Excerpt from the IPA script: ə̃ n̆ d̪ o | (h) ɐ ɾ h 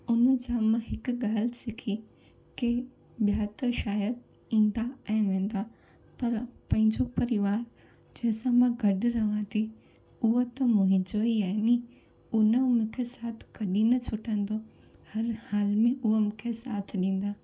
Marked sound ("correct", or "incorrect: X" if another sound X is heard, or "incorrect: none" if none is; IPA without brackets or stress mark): correct